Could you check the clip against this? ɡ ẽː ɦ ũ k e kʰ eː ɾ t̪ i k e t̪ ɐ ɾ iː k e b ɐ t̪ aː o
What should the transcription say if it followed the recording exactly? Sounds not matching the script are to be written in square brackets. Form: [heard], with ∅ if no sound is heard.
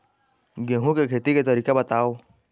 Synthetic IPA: ɡ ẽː ɦ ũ k e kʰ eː [∅] t̪ i k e t̪ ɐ ɾ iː k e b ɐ t̪ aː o